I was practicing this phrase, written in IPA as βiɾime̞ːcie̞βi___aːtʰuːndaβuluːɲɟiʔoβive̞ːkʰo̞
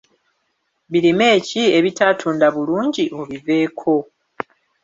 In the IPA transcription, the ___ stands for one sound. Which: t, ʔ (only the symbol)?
t